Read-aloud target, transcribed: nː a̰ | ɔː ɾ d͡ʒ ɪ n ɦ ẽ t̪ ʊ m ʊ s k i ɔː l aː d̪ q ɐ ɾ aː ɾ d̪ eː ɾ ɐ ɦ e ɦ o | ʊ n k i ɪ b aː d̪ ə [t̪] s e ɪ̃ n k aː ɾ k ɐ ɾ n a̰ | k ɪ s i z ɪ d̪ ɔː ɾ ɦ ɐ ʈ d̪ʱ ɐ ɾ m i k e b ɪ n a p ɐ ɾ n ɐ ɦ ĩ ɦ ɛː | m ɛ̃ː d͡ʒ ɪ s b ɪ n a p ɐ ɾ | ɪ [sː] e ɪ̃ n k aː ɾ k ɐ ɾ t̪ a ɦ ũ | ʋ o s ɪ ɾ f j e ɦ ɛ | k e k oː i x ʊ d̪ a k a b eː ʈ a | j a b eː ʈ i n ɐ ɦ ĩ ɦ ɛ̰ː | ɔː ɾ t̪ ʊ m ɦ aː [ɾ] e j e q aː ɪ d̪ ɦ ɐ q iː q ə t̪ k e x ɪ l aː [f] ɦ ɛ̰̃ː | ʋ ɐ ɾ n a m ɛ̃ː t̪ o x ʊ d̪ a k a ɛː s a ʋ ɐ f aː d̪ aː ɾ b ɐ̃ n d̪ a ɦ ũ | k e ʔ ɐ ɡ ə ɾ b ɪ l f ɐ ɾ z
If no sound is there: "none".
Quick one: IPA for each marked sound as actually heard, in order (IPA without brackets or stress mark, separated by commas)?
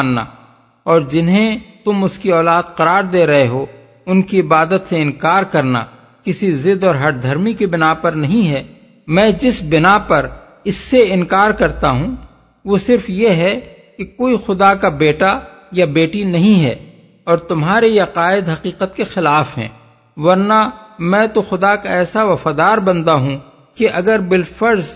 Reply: t̪, sː, ɾ, f